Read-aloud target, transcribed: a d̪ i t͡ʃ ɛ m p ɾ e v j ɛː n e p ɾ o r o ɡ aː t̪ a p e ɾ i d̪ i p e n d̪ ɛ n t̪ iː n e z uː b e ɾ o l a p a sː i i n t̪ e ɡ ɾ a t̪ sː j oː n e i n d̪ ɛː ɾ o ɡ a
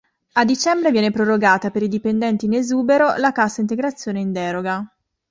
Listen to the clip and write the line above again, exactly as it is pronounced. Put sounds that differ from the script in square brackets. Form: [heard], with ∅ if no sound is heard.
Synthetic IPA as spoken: a d̪ i t͡ʃ ɛ m [b] ɾ e v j ɛː n e p ɾ o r o ɡ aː t̪ a p e ɾ i d̪ i p e n d̪ ɛ n t̪ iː n e z uː b e ɾ o l a [k] a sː [a] i n t̪ e ɡ ɾ a t̪ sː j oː n e i n d̪ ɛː ɾ o ɡ a